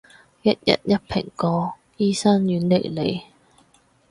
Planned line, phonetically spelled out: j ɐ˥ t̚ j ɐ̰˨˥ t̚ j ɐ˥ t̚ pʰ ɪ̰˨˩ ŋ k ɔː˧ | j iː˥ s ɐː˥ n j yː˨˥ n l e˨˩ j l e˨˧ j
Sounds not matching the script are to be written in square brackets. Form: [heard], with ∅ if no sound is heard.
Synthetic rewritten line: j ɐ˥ t̚ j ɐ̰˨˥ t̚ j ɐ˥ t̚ pʰ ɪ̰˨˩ ŋ k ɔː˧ | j iː˥ s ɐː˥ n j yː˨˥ n l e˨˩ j l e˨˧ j